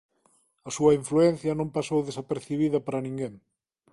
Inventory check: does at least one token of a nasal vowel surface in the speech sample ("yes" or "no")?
yes